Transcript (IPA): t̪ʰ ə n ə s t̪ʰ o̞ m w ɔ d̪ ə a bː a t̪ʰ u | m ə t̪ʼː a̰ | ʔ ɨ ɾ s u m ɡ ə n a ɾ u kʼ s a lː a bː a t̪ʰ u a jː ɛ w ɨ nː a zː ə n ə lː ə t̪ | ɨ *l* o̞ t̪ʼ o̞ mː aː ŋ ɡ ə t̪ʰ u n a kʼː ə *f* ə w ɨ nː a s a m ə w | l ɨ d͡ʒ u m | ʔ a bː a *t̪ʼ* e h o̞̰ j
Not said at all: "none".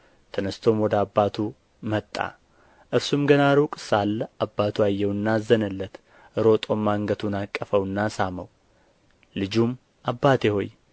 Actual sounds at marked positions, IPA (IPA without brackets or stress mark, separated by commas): ɾ, f, t̪